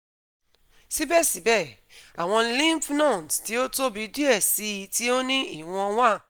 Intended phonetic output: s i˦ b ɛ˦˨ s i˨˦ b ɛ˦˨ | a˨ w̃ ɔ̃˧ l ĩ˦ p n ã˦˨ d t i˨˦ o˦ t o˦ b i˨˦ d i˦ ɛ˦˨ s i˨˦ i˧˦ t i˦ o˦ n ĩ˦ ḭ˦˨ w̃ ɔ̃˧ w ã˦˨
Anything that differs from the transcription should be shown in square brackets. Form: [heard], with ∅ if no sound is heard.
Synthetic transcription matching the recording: s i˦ b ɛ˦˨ s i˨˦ b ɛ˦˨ | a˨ w̃ ɔ̃˧ l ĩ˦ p n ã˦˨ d t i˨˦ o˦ t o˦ b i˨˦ d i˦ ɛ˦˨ s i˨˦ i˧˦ t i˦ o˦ n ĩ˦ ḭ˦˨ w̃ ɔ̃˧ w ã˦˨